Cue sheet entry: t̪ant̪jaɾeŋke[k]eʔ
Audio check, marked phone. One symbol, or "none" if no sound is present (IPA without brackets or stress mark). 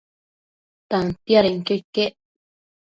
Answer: k